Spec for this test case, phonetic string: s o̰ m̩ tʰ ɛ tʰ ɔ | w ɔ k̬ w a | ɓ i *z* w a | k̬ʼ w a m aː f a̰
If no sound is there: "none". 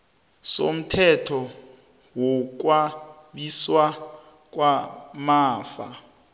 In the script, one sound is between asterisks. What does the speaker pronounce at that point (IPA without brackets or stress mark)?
s